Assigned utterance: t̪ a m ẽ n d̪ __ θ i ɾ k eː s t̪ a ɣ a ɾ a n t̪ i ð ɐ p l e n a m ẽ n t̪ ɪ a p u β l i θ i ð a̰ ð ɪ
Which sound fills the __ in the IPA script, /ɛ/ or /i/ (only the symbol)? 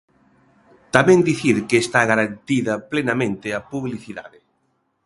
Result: i